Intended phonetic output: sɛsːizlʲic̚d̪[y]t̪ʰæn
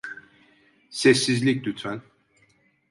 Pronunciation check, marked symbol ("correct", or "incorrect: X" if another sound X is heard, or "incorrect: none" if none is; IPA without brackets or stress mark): correct